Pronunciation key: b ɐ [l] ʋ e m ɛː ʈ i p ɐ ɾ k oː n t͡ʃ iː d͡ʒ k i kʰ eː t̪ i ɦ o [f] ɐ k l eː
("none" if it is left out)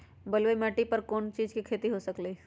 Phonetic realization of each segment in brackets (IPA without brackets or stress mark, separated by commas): l, s